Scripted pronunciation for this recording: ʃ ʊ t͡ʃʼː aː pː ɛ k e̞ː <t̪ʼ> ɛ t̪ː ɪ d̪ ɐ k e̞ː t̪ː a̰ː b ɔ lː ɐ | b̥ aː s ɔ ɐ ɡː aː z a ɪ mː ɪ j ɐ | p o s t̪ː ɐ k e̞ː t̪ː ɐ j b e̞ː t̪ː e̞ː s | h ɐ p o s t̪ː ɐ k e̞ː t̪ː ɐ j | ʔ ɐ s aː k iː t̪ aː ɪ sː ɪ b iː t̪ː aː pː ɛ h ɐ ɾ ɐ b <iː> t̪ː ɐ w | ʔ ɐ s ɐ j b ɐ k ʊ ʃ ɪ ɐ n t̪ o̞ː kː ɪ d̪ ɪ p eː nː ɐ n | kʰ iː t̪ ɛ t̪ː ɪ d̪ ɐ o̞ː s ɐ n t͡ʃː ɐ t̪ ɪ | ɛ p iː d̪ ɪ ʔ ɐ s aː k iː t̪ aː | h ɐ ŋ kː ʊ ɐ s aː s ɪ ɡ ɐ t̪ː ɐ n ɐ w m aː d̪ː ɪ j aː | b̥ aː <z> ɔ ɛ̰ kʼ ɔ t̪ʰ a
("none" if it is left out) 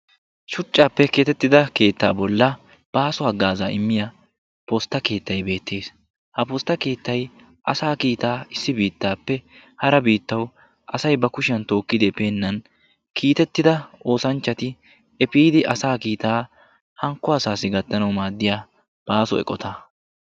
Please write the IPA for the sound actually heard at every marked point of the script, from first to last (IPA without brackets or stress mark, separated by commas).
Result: t̪, iː, s